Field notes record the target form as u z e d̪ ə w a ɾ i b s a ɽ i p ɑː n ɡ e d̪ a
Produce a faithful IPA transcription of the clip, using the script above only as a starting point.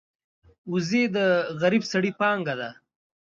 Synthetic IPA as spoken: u z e d̪ ə ɣ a ɾ i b s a ɽ i p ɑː ŋ ɡ a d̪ a